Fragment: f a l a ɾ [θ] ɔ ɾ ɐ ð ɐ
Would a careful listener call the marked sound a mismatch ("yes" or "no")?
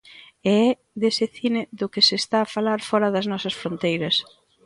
yes